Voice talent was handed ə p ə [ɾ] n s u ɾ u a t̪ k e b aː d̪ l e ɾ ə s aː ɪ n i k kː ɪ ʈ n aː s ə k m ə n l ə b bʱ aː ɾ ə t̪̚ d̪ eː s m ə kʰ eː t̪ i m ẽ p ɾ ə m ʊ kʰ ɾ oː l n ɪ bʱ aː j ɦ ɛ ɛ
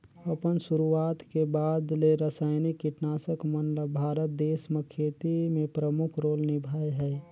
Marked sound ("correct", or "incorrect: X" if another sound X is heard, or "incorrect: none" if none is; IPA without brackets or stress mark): incorrect: none